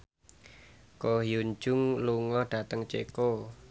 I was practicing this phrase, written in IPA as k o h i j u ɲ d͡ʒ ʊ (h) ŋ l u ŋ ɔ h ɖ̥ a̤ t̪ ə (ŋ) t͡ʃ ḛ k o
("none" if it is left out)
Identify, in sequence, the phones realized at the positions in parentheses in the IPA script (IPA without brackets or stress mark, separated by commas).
none, ŋ